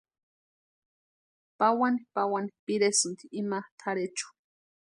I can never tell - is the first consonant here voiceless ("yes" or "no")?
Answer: yes